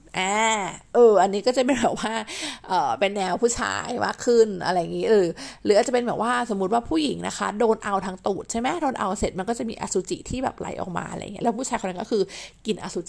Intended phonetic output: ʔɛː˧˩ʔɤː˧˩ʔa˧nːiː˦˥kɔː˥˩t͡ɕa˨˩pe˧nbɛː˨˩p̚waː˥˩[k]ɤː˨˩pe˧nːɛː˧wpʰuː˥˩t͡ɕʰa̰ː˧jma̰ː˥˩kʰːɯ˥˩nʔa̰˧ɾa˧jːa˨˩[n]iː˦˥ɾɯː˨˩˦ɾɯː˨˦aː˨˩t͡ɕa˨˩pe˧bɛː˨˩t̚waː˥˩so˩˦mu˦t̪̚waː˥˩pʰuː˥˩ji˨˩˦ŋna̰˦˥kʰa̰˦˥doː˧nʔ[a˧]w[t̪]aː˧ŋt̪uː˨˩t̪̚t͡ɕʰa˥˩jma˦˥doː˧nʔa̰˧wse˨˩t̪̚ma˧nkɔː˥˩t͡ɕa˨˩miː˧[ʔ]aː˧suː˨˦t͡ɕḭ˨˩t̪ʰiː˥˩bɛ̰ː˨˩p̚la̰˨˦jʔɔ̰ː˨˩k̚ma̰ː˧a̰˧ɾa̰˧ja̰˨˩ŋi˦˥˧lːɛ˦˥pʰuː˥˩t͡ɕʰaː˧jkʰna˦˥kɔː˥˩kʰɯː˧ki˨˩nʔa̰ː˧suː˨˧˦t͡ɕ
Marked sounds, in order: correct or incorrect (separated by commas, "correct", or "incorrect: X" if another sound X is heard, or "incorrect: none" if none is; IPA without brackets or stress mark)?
incorrect: ʔ, incorrect: ŋ, correct, incorrect: t̪ʰ, correct